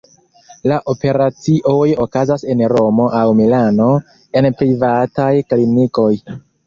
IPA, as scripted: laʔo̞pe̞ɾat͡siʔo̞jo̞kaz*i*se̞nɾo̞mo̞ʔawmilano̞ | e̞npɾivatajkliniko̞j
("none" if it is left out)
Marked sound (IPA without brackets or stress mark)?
a